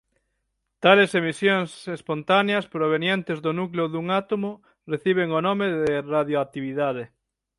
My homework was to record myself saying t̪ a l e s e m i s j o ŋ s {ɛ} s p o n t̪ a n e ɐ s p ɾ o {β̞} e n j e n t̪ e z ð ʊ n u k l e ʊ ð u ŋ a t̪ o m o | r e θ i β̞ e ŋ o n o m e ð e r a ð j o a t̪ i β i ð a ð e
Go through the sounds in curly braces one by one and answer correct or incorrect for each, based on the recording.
incorrect: e, correct

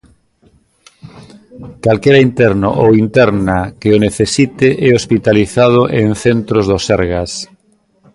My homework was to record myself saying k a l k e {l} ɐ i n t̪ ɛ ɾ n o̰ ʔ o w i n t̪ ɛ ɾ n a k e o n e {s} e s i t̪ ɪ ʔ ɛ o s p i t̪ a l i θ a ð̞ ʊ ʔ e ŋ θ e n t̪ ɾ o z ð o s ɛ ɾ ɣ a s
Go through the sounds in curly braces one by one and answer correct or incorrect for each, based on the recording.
incorrect: ɾ, incorrect: θ

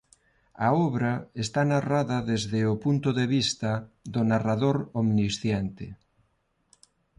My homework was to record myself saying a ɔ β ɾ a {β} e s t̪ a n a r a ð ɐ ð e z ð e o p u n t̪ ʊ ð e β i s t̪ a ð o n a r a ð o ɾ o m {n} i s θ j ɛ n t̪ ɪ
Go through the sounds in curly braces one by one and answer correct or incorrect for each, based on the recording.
incorrect: none, correct

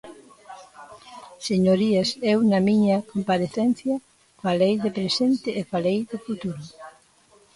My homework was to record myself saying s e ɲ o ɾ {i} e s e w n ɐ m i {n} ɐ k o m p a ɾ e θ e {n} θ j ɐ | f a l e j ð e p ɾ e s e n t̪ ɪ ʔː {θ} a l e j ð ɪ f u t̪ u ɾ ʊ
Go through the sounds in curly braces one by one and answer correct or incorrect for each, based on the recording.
correct, incorrect: ɲ, correct, incorrect: f

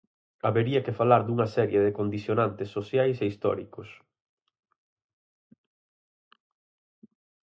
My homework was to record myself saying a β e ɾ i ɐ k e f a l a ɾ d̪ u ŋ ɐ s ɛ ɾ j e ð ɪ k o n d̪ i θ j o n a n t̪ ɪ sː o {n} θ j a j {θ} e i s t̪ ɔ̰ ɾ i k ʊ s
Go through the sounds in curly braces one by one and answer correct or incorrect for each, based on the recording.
incorrect: none, incorrect: s

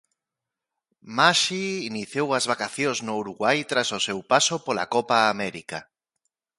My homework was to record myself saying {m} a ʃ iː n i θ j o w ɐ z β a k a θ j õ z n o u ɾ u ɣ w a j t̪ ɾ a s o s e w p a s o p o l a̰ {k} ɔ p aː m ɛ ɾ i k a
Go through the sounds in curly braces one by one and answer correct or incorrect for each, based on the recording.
correct, correct

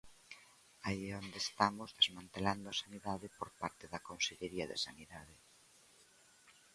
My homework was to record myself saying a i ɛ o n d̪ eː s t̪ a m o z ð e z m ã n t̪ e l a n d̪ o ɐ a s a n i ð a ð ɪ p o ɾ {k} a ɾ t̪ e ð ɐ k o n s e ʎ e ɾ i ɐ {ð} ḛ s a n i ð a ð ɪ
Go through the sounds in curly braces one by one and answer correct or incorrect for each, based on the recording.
incorrect: p, correct

